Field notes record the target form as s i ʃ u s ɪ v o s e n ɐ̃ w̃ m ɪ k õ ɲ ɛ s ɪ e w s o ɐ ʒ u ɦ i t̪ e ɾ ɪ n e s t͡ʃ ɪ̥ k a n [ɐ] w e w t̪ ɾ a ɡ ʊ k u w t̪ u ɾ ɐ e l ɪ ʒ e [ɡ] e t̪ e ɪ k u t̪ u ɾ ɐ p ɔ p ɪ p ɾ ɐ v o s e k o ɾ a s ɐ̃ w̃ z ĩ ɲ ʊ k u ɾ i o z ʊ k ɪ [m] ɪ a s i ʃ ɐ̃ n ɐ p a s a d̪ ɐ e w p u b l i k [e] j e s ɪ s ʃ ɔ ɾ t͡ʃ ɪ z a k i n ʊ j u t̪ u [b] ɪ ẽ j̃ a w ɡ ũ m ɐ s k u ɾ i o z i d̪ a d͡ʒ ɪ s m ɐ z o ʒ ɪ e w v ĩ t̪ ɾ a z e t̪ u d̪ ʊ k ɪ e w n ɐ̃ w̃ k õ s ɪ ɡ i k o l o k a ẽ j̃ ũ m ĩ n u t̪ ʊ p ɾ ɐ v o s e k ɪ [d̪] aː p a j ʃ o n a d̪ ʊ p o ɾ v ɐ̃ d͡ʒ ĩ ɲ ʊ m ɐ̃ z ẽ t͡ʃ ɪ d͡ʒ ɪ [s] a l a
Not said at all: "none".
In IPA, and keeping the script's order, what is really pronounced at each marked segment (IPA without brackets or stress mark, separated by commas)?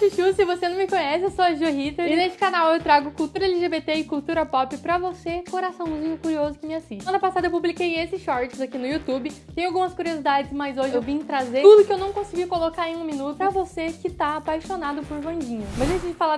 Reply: a, b, m, e, b, t̪, f